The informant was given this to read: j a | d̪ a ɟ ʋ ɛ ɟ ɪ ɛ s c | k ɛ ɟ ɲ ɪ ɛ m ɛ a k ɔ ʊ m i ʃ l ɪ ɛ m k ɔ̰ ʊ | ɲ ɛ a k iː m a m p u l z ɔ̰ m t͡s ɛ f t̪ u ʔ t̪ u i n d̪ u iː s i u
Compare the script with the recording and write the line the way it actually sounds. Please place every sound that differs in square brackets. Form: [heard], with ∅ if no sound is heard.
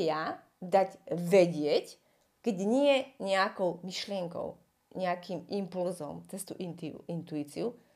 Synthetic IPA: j a | d̪ a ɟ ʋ ɛ ɟ ɪ ɛ [∅] c | k ɛ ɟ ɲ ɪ ɛ [ɲ] ɛ a k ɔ ʊ m i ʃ l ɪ ɛ [ŋ] k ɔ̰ ʊ | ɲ ɛ a k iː m [i] m p u l z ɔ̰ m t͡s ɛ [s] t̪ u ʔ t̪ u i n [t̪] u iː [t͡s] i u